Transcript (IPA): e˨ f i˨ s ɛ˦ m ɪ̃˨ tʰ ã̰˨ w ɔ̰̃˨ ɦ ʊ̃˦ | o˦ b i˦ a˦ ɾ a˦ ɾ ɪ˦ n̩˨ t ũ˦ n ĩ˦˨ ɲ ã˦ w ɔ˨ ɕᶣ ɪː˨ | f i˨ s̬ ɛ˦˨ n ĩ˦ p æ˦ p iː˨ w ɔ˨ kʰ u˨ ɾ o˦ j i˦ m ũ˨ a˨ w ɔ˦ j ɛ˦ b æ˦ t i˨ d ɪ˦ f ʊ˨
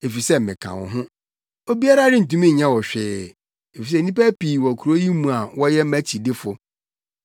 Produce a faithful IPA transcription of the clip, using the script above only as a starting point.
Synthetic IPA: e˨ f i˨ s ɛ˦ m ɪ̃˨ kʰ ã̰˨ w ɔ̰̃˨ ɦ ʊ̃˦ | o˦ b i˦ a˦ ɾ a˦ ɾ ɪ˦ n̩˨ t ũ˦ m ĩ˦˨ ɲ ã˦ w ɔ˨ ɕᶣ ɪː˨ | f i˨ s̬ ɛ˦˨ n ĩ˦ p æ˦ p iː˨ w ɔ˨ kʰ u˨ ɾ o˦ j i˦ m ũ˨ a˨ w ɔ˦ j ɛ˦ m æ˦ t͡ɕʰ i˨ d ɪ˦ f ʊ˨